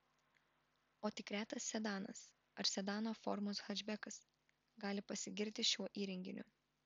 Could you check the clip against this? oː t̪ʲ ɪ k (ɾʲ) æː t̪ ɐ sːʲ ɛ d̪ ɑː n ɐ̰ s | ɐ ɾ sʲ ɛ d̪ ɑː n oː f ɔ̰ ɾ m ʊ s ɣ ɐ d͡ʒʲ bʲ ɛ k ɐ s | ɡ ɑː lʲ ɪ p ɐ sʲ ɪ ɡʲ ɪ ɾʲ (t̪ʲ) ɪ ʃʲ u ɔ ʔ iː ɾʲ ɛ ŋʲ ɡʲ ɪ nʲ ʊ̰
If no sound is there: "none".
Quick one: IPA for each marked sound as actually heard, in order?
ɾʲ, t̪ʲ

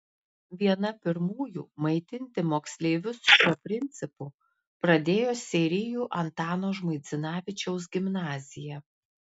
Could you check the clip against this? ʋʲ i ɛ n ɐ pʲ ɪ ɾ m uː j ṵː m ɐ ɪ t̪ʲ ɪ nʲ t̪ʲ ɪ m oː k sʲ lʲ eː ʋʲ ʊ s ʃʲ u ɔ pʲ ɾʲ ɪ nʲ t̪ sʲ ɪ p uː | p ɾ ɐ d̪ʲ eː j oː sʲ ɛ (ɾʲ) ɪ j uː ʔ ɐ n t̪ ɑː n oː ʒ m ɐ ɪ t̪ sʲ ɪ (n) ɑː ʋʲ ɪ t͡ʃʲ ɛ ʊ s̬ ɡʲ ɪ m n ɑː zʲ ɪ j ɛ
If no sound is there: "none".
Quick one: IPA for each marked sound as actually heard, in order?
ɾʲ, n

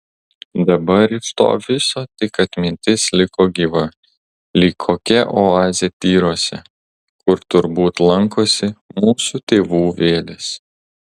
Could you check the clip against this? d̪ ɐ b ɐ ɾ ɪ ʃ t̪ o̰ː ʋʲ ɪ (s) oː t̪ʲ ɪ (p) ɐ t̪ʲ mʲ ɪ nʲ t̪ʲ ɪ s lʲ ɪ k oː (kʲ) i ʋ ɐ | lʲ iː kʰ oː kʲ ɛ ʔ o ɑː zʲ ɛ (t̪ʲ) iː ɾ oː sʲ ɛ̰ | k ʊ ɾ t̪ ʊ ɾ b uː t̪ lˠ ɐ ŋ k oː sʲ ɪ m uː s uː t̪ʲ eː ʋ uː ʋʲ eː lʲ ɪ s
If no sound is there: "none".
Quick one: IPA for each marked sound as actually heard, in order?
s, k, ɡʲ, t̪ʲ

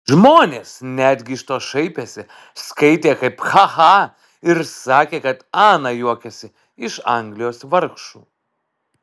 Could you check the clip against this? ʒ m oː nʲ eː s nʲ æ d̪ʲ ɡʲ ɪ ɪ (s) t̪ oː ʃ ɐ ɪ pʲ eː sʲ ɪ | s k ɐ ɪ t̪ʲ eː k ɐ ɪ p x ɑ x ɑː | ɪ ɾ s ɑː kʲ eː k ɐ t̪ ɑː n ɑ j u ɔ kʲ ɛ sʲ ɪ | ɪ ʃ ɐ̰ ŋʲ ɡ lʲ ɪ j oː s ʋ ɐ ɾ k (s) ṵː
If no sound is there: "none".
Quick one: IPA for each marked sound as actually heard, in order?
ʃ, ʃ

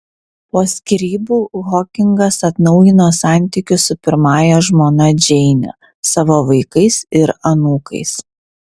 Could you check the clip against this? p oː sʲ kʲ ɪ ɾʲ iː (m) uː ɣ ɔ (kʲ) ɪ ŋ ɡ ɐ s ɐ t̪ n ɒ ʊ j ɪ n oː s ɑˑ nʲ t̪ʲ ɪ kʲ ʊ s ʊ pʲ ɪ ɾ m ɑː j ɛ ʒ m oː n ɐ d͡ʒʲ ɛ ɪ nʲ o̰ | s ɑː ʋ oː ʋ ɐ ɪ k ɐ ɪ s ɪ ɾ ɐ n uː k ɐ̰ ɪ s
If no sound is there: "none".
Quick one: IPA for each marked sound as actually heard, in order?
b, kʲ

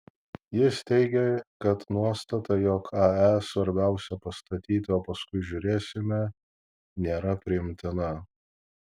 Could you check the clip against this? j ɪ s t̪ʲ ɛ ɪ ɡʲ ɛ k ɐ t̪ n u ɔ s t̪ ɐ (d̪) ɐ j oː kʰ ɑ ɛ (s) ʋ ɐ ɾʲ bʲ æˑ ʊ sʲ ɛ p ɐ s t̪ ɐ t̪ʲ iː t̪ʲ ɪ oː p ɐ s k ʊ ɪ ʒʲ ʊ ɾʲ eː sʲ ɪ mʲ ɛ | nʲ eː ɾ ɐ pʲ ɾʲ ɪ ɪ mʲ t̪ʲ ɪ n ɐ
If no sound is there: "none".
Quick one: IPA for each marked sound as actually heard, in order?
t̪, s

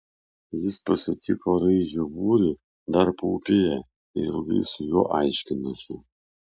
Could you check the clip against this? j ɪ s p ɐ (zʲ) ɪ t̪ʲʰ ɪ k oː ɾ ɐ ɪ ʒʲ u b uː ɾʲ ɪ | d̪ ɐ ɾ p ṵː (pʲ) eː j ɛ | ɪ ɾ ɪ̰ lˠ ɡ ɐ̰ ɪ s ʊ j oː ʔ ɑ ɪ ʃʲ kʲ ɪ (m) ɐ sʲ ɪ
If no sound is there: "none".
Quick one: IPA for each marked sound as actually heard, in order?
sʲ, pʲ, n

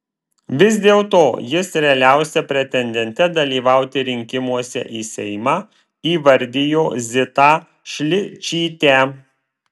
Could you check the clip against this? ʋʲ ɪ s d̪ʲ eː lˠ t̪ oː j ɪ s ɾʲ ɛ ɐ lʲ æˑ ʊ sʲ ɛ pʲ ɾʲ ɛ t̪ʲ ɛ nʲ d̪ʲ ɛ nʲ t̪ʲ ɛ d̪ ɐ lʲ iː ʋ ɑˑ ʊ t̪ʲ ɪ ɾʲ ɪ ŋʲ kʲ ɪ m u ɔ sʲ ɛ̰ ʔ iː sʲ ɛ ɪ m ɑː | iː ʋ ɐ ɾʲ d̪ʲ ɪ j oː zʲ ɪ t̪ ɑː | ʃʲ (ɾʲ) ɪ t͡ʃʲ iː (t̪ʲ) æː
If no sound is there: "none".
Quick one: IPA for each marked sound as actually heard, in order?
lʲ, t̪ʲ

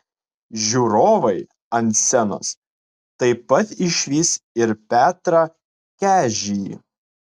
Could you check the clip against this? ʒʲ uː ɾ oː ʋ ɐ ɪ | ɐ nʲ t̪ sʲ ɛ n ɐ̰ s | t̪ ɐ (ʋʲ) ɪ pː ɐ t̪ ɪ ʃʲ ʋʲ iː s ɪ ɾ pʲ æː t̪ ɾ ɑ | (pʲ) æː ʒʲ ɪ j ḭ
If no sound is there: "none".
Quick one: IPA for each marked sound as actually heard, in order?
none, kʲ

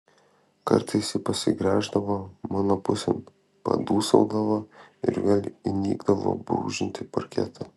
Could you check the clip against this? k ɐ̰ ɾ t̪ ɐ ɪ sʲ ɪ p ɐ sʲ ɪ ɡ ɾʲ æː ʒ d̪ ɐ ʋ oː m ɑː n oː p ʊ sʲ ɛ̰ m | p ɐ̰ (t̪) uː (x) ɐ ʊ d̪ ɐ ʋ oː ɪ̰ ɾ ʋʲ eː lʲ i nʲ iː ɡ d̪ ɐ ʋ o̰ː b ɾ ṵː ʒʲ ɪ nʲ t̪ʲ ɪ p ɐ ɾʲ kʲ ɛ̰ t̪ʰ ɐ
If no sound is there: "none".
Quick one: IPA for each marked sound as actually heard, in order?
d̪, s

